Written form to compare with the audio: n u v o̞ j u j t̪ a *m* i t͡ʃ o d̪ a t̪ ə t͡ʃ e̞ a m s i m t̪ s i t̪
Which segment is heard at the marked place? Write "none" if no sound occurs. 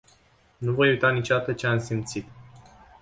n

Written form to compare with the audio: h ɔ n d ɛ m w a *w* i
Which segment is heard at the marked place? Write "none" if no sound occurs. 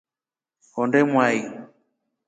none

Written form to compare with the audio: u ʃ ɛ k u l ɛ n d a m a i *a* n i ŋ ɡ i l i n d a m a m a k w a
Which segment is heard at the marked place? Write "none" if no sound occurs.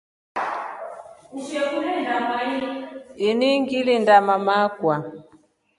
i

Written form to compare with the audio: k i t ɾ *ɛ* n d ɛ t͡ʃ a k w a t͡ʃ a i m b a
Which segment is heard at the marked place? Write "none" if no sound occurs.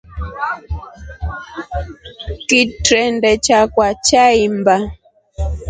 ɛ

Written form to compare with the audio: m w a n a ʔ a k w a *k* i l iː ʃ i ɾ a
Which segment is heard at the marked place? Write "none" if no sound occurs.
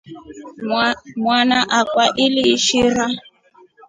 ʔ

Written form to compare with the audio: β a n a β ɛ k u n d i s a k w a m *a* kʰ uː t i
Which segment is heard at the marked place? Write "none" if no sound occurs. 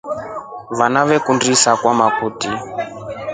a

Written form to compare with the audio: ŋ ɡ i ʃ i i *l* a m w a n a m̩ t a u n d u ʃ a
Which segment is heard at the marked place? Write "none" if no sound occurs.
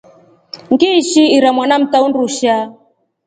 ɾ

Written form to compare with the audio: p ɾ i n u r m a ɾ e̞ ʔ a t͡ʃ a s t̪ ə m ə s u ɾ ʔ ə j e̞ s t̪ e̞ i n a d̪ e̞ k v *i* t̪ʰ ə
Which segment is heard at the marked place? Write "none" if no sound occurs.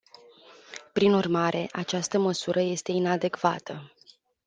a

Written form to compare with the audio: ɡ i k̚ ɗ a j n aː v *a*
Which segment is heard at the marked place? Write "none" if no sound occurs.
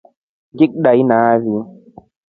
i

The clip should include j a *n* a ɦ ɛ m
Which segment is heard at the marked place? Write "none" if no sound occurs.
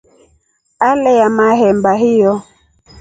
m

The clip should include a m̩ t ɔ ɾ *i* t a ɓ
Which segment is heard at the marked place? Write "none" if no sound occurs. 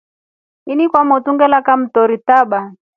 i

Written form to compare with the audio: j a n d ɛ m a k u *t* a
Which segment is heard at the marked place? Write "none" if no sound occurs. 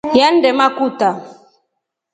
t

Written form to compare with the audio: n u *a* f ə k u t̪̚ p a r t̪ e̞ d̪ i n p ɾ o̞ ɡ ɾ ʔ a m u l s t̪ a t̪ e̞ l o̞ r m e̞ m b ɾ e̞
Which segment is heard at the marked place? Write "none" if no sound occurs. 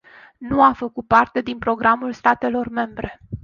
a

